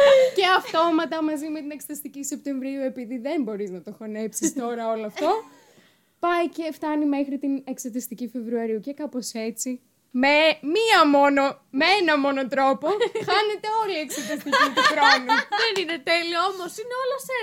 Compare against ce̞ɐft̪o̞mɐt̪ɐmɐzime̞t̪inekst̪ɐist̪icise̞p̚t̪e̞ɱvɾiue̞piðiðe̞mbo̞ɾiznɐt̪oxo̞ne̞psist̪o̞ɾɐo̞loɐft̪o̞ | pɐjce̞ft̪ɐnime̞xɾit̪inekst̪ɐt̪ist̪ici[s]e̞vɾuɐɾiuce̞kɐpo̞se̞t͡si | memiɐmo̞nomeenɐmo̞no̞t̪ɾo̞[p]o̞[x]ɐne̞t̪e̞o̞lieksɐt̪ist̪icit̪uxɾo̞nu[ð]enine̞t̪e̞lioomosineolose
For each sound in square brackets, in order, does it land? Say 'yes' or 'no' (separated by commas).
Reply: no, yes, yes, yes